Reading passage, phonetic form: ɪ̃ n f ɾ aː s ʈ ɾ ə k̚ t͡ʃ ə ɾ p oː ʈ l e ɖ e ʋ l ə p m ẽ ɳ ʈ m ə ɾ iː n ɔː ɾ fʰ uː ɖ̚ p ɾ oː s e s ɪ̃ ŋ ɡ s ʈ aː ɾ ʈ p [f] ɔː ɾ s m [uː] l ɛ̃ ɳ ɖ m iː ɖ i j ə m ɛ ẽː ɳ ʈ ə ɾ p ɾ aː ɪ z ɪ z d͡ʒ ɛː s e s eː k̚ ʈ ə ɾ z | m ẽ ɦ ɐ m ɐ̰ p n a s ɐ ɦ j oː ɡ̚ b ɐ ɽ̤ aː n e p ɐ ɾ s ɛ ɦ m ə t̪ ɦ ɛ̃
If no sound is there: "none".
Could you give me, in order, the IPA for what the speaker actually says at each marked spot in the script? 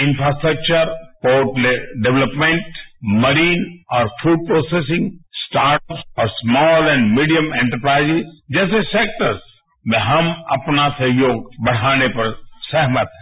s, ɔː

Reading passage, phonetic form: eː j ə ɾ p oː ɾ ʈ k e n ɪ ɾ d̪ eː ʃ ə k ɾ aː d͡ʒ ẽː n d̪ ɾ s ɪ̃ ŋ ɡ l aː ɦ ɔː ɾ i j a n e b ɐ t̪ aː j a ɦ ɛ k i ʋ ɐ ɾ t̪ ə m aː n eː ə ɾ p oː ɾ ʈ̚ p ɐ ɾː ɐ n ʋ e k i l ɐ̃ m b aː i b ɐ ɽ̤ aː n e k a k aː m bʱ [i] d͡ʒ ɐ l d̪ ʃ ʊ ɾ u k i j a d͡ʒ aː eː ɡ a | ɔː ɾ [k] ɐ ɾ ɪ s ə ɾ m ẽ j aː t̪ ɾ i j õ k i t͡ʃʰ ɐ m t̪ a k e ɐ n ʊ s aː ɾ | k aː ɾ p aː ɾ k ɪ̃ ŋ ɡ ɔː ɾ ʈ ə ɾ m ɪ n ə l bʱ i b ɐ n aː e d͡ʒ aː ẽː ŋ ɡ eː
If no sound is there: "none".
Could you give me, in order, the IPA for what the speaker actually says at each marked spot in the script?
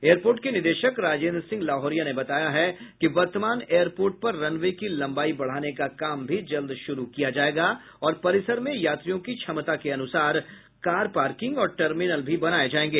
i, p

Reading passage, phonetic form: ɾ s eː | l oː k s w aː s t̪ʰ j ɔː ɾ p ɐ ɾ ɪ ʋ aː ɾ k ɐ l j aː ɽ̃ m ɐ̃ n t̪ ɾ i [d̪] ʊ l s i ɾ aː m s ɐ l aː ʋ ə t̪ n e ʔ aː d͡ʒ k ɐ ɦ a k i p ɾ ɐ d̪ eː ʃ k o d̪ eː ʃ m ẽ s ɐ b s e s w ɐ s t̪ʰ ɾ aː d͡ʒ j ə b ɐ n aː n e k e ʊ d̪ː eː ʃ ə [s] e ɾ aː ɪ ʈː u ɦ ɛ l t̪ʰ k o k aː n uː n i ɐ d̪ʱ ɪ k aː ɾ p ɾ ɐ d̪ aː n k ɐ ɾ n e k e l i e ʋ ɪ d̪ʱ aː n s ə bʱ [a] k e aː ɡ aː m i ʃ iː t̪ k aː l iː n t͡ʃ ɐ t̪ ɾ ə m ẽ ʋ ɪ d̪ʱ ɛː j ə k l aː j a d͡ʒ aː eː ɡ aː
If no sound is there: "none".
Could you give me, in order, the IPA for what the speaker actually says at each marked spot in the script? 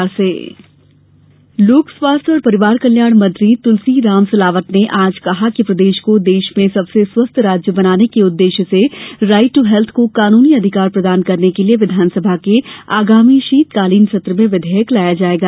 t̪, s, a

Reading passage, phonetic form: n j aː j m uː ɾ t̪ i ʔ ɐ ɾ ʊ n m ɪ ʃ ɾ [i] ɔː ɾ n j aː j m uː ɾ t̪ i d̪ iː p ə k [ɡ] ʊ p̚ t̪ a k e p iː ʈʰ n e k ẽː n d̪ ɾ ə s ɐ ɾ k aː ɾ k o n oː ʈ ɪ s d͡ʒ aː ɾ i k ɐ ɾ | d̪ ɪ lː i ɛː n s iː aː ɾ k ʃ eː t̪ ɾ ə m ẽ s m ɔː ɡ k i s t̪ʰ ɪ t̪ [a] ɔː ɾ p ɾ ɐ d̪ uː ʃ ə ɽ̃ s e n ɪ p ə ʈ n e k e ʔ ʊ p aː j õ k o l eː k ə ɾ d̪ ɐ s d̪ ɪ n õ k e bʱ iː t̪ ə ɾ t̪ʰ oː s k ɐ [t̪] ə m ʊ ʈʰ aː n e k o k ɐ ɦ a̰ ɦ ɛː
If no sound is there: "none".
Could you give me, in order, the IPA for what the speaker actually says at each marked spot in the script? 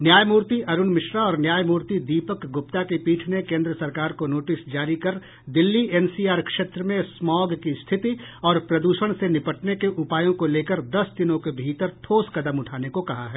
a, ɡ, i, d̪

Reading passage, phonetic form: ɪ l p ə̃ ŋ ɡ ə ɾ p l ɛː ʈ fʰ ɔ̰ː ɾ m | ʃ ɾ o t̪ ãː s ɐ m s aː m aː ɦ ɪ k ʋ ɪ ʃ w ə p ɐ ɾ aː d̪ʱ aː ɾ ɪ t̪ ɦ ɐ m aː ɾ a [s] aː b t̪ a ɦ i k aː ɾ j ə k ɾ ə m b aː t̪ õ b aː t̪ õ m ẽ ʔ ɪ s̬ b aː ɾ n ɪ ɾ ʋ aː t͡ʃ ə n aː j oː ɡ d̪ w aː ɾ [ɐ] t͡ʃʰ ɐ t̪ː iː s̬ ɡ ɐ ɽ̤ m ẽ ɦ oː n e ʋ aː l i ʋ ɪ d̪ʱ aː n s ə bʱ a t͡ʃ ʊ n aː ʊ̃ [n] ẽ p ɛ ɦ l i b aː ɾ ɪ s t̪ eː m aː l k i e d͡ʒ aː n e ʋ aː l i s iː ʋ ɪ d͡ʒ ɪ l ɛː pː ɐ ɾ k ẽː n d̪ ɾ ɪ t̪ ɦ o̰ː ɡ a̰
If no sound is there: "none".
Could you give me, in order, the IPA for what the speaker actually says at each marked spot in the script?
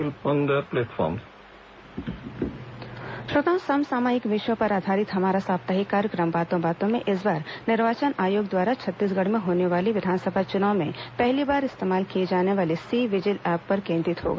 s, a, m

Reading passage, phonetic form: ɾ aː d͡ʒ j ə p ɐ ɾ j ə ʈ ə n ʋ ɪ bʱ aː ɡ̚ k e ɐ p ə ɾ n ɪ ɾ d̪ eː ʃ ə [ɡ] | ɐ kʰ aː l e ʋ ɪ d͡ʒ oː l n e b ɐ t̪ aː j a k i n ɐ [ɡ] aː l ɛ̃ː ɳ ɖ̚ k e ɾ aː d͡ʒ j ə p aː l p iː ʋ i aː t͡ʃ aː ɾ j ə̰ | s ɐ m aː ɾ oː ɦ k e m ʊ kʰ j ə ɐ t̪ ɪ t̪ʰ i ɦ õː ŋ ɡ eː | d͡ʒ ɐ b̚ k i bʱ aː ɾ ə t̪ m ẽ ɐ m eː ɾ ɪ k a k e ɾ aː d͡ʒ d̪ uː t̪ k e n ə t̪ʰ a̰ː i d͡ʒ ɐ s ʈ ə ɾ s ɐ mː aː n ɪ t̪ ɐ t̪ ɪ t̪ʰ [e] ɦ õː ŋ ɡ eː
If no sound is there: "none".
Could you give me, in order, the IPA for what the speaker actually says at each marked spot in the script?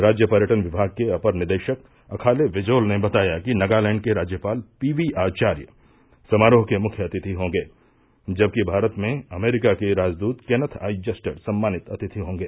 k, ɡ, i

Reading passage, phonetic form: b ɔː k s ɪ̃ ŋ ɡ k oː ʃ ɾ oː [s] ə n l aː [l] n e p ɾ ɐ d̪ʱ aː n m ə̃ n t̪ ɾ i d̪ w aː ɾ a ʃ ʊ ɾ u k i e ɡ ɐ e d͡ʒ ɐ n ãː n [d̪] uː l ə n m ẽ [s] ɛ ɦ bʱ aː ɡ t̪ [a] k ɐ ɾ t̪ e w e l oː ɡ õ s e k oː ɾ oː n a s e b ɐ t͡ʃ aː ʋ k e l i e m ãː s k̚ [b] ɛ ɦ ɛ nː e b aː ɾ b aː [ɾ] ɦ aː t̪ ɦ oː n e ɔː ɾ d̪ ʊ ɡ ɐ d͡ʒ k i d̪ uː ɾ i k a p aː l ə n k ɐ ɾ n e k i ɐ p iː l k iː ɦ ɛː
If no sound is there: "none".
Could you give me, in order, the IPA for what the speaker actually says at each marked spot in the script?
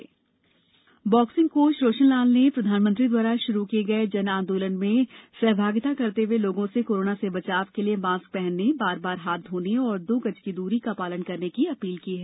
ʃ, l, d̪, s, a, p, ɾ

